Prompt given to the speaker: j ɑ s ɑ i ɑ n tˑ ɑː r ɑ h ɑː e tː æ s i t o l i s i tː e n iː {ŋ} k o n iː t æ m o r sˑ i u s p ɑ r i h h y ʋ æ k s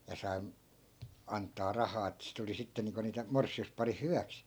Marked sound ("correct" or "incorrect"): correct